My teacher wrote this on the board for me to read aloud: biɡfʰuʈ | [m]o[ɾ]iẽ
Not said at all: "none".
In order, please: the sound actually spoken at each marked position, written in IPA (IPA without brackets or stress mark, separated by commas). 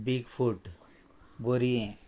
b, ɾ